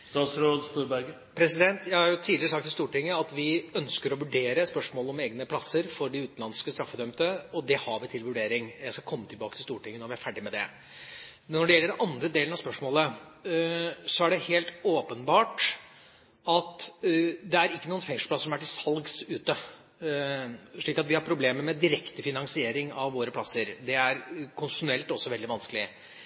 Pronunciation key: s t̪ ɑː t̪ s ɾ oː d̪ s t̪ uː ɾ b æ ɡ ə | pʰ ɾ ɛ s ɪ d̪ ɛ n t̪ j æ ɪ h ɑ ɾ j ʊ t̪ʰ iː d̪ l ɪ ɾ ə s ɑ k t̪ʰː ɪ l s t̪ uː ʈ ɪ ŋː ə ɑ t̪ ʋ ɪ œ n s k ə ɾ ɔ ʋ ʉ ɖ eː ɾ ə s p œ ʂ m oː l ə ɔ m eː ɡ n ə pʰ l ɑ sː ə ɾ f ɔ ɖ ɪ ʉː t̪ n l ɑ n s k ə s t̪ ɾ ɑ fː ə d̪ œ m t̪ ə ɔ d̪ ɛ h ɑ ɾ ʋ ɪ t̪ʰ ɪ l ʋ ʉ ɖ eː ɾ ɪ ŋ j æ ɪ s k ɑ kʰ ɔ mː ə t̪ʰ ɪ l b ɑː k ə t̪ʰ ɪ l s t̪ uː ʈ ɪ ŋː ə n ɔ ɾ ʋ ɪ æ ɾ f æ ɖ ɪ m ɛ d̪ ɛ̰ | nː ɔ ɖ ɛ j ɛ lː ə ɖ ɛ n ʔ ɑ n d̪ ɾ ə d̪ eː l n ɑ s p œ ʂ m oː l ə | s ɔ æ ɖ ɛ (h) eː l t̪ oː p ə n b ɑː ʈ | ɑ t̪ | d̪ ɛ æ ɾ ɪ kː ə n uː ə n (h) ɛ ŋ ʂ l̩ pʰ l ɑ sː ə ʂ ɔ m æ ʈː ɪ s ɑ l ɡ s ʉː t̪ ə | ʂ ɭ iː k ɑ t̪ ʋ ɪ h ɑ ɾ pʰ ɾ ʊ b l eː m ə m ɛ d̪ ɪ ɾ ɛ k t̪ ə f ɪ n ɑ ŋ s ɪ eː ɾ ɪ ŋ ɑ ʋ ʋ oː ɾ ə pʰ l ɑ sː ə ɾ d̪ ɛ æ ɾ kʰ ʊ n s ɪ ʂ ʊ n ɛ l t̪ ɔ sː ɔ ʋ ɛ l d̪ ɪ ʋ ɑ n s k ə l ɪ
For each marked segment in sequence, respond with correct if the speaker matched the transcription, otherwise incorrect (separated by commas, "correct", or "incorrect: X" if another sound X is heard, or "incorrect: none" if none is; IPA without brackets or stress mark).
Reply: correct, incorrect: f